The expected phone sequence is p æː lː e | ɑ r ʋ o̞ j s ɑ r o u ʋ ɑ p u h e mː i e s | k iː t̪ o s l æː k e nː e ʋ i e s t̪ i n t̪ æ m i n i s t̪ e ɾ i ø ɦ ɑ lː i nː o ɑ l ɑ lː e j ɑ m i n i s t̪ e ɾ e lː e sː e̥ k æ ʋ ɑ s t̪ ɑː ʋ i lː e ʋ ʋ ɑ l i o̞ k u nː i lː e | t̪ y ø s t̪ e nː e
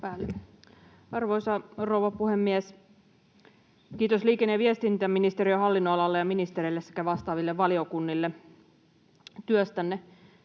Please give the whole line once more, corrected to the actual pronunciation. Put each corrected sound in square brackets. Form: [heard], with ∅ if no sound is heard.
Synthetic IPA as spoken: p æː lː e | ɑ r ʋ o̞ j s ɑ r o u ʋ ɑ p u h e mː i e s | k iː t̪ o s l [iː] k e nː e ʋ i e s t̪ i n t̪ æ m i n i s t̪ e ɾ i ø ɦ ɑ lː i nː o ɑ l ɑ lː e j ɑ m i n i s t̪ e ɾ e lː e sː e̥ k æ ʋ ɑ s t̪ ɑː ʋ i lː e ʋ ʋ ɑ l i o̞ k u nː i lː e | t̪ y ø s t̪ [æ] nː e